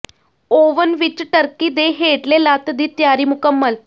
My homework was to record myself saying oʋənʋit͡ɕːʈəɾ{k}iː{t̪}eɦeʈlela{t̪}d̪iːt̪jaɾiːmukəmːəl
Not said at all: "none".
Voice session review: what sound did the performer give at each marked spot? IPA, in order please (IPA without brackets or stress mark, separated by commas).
k, d̪, t̪